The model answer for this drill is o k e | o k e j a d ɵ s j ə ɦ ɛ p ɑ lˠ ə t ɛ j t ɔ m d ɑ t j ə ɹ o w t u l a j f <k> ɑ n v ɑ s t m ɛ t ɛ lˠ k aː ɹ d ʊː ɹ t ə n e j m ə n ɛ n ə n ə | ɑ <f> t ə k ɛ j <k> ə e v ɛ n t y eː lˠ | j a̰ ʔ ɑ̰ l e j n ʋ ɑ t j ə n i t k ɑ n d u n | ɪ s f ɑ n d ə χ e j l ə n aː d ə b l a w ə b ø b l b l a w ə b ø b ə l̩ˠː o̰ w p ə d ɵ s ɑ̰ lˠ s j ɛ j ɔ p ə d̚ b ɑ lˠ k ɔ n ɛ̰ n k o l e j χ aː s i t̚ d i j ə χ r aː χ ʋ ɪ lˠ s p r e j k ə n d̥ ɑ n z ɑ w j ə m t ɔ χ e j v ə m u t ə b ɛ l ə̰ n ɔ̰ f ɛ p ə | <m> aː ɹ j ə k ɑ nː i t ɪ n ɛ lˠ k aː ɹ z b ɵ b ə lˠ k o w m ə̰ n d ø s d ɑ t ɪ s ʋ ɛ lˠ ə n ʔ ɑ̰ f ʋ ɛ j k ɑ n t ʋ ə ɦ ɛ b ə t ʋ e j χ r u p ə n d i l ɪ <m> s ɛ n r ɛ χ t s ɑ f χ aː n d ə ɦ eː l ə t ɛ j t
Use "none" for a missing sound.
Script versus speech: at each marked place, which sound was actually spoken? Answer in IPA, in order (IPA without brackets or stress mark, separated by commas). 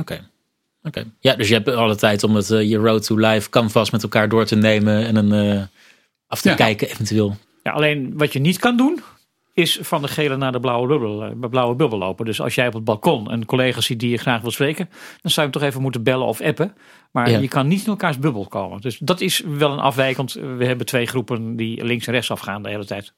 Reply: k, f, k, m, ŋ